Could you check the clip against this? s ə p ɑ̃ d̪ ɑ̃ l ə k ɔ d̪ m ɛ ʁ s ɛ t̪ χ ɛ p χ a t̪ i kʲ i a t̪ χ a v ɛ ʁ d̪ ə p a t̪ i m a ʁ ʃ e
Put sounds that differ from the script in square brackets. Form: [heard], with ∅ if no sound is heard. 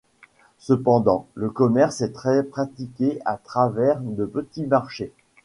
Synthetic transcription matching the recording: s ə p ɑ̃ d̪ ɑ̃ l ə k ɔ [∅] m ɛ ʁ s ɛ t̪ χ ɛ p χ a t̪ i kʲ [e] a t̪ χ a v ɛ ʁ d̪ ə p [ə] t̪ i m a ʁ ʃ e